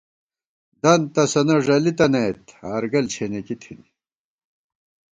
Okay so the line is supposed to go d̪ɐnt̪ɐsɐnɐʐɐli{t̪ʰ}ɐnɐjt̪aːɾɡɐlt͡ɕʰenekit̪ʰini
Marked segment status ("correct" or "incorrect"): incorrect